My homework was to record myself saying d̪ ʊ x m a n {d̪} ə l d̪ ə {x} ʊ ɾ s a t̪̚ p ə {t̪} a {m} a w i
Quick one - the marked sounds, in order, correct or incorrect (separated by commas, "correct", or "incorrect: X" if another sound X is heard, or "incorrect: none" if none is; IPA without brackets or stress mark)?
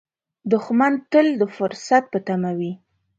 incorrect: t̪, incorrect: f, correct, correct